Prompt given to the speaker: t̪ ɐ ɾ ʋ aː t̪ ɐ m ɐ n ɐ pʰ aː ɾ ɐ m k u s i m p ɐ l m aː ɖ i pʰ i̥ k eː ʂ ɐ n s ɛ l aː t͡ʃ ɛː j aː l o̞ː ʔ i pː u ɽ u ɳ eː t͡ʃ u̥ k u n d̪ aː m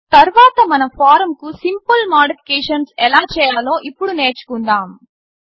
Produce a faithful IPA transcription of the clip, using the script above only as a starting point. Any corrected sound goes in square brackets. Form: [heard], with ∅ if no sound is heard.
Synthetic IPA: t̪ ɐ ɾ ʋ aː t̪ ɐ m ɐ n ɐ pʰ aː ɾ ɐ m k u s i m p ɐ l m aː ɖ i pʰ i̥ k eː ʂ ɐ n s ɛ l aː t͡ʃ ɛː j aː l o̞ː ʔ i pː u ɽ u [n] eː t͡ʃ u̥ k u n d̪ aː m